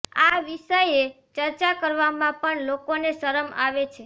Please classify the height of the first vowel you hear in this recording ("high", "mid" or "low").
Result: low